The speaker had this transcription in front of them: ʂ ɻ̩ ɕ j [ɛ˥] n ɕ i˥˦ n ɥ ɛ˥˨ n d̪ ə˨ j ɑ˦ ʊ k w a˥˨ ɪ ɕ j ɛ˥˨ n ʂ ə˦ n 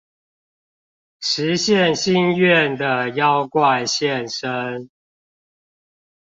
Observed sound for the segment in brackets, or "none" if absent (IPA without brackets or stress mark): ɛ˥˨